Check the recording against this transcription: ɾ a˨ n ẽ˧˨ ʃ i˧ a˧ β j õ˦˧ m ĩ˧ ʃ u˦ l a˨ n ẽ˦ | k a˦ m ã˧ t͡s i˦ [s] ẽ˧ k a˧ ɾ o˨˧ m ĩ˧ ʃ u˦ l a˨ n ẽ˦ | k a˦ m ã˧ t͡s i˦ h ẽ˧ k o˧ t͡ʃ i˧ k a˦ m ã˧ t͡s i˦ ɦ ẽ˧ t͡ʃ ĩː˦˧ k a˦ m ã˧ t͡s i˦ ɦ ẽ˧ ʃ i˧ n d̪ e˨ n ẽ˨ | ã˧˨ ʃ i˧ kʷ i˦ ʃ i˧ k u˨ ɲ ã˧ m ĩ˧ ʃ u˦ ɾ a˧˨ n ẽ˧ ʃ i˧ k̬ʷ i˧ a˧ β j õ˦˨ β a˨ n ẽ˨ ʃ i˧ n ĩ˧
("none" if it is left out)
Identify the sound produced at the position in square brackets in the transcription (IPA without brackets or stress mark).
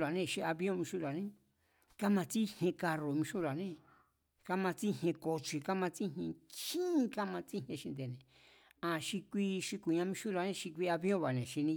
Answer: h